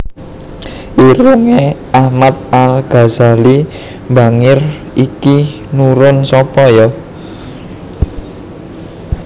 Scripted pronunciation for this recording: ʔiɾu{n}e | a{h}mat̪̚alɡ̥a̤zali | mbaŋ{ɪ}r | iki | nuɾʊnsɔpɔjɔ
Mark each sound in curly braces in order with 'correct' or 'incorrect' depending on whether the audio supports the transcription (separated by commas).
incorrect, correct, correct